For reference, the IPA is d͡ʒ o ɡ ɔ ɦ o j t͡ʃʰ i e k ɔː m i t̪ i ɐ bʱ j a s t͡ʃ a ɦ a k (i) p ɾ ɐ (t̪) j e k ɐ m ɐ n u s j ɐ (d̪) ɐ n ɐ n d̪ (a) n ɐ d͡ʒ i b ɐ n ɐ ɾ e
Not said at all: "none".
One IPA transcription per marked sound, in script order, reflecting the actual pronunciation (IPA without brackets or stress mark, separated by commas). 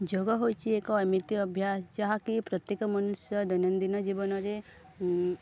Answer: i, t̪, d̪, i